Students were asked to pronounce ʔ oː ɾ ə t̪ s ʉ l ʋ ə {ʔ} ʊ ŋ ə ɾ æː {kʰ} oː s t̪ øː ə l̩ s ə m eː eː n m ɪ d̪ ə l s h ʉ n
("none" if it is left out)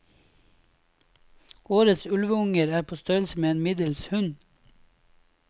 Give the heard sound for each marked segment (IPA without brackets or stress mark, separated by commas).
none, pʰ